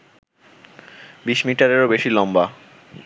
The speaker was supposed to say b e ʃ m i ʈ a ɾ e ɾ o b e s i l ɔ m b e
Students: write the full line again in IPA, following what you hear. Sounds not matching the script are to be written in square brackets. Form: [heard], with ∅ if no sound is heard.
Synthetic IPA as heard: b [i] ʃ m i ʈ a ɾ e ɾ o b e [ʃ] i l ɔ m b [a]